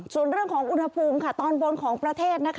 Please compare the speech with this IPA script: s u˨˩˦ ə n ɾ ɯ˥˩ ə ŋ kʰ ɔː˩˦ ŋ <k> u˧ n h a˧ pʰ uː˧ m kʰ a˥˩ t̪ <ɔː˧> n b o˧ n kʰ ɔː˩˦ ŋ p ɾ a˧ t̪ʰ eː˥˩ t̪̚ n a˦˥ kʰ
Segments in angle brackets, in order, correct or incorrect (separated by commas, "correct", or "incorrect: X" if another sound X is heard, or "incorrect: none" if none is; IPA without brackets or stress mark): incorrect: ʔ, correct